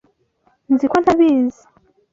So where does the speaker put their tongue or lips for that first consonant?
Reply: tongue tip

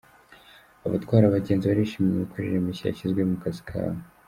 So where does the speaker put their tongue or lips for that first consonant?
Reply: lips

